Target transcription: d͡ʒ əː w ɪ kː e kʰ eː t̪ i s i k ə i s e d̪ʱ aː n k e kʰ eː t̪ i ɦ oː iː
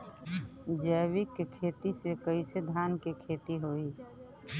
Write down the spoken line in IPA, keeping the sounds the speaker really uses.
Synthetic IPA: d͡ʒ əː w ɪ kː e kʰ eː t̪ i s e k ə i s e d̪ʱ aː n k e kʰ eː t̪ i ɦ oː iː